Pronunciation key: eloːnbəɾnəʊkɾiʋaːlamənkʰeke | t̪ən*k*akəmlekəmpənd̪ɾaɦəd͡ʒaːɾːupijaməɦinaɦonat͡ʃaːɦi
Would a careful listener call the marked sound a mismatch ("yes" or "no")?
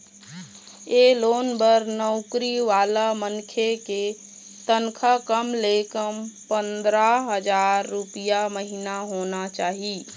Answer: yes